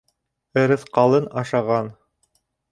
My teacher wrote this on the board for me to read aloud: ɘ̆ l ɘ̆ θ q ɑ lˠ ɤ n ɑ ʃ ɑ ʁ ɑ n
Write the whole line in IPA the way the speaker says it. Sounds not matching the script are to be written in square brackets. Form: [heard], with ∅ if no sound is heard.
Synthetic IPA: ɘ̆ [ɾ] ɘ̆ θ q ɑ lˠ ɤ n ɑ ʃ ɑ ʁ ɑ n